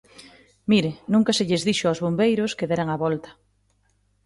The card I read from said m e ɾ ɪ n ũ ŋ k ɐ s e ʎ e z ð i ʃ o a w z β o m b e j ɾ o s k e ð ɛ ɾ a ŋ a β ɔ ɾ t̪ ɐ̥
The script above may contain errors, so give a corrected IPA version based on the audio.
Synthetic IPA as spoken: m i ɾ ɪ n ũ ŋ k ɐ s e ʎ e z ð i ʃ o a w z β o m b e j ɾ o s k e ð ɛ ɾ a ŋ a β ɔ l t̪ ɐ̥

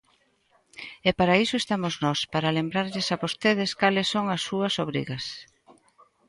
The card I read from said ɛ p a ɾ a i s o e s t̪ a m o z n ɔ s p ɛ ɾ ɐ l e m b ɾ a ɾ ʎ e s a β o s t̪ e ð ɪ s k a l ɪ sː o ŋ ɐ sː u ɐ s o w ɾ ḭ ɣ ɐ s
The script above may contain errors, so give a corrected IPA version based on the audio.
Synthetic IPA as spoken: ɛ p a ɾ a i s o e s t̪ a m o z n ɔ s p a ɾ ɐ l e m b ɾ a ɾ ʎ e s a β o s t̪ e ð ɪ s k a l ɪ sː o ŋ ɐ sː u ɐ s o β ɾ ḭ ɣ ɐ s

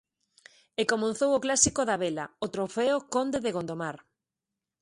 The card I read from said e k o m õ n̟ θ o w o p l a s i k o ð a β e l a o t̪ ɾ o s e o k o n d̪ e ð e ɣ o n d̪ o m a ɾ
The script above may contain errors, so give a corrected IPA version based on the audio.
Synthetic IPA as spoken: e k o m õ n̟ θ o w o k l a s i k o ð a β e l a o t̪ ɾ o f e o k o n d̪ e ð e ɣ o n d̪ o m a ɾ

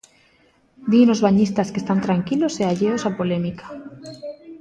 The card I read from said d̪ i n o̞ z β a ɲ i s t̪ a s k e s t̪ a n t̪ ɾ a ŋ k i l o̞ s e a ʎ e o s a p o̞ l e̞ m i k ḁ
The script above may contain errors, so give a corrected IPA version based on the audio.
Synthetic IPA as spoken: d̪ i n o̞ z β a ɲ i s t̪ a s k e s t̪ a n t̪ ɾ a ŋ k i l o̞ s e a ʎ e o s a p o̞ l e̞ m i k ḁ

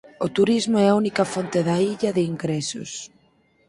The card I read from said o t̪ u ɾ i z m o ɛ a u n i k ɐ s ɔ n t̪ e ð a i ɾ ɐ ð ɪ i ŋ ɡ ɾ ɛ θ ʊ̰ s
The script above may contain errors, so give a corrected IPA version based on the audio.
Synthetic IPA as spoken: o t̪ u ɾ i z m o ɛ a u n i k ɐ f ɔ n t̪ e ð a i ʎ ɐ ð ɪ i ŋ ɡ ɾ ɛ s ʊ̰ s

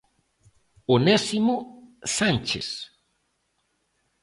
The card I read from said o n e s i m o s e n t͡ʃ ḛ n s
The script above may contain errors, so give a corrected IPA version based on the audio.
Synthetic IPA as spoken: o n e s i m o s a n t͡ʃ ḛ s

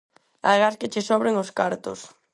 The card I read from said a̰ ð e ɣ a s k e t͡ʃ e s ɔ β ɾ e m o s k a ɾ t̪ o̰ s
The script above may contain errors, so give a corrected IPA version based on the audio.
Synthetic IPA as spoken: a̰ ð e ɣ a s k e t͡ʃ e s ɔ β ɾ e ŋ o s k a ɾ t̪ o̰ s

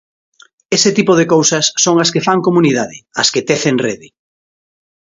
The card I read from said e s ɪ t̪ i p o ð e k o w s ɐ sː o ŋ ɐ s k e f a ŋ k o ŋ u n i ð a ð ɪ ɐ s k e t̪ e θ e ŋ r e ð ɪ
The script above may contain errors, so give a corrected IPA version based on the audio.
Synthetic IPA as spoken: e s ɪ t̪ i p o ð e k o w s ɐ sː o ŋ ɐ s k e f a ŋ k o m u n i ð a ð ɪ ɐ s k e t̪ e θ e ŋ r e ð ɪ

